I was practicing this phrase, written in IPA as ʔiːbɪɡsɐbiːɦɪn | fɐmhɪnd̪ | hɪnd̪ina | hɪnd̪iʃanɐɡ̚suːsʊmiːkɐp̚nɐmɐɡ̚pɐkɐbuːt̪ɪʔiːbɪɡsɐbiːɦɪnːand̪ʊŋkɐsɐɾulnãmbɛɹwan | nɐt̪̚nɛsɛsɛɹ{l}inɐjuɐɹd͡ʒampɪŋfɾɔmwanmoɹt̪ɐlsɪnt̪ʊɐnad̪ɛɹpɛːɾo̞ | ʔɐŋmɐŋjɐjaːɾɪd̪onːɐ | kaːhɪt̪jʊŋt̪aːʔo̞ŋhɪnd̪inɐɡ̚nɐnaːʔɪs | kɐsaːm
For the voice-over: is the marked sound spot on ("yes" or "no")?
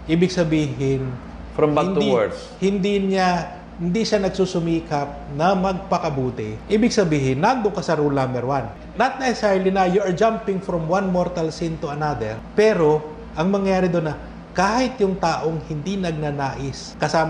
yes